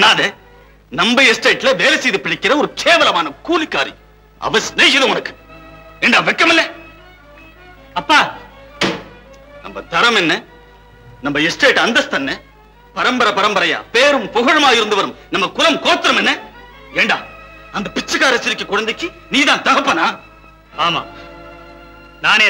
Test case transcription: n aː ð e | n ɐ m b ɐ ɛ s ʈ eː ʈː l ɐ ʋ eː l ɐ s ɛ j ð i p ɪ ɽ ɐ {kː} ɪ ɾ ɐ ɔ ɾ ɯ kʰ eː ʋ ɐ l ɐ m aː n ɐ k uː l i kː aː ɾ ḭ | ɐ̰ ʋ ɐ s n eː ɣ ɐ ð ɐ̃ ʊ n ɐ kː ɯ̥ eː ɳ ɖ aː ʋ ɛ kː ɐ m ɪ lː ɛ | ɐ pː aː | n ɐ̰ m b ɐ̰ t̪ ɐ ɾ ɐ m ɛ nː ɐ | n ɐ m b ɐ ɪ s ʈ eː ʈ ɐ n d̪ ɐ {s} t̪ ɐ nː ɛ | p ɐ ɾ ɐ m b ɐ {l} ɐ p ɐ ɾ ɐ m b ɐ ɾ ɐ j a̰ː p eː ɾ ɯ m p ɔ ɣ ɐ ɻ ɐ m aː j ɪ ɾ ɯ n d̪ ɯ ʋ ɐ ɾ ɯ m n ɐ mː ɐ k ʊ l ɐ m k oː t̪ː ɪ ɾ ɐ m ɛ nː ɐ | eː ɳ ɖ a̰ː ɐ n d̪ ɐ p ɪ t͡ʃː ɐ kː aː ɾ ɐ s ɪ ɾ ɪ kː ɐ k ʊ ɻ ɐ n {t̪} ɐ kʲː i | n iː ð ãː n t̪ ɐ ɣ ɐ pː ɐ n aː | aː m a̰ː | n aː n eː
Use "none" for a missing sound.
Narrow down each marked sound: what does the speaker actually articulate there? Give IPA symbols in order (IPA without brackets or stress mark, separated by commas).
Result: kː, s, ɾ, d̪